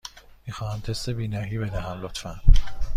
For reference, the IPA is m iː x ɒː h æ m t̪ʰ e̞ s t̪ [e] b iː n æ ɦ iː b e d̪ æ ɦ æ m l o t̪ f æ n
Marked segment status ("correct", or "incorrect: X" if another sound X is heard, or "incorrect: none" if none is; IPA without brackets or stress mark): correct